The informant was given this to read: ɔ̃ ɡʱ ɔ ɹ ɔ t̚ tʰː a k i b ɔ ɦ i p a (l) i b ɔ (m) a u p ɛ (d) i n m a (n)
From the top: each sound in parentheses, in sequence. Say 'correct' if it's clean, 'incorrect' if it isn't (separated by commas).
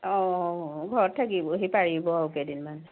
incorrect, incorrect, correct, correct